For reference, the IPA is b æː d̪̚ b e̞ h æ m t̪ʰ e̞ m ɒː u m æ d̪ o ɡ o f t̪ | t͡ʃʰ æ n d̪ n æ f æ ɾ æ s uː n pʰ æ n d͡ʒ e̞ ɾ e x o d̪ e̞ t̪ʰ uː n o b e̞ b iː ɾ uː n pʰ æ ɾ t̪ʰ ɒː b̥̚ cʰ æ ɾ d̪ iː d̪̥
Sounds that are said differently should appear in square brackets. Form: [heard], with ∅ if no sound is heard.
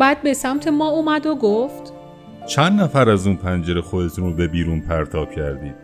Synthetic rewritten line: b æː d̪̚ b e̞ [s] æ m t̪ʰ e̞ m ɒː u m æ d̪ o ɡ o f t̪ | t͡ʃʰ æ n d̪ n æ f æ ɾ æ [z] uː n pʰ æ n d͡ʒ e̞ ɾ e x o d̪ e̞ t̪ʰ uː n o b e̞ b iː ɾ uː n pʰ æ ɾ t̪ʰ ɒː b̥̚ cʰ æ ɾ d̪ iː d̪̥